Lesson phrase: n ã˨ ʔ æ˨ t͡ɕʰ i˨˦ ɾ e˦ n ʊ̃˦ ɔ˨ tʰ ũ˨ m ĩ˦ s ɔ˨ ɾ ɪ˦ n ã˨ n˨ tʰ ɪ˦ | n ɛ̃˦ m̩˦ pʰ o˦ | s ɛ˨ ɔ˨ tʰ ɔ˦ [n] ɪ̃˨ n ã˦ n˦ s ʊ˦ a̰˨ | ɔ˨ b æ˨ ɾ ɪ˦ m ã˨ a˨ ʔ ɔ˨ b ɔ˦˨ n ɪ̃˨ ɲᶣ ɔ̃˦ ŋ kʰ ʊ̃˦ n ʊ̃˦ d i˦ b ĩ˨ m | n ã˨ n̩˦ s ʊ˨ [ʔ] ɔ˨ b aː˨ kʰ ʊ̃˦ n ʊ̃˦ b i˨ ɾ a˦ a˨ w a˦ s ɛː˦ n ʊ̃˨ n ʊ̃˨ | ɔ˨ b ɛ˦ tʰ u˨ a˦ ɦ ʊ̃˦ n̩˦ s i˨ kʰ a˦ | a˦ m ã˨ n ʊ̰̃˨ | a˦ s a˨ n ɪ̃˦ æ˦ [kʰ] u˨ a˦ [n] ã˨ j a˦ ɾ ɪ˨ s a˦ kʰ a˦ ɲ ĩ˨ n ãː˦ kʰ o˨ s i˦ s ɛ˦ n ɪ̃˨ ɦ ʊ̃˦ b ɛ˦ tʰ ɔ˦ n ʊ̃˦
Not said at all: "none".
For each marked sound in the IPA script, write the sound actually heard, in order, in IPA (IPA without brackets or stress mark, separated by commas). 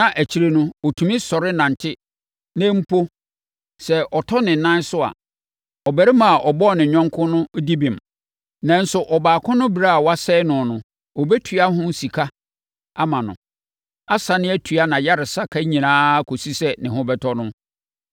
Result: n, ʔ, tʰ, n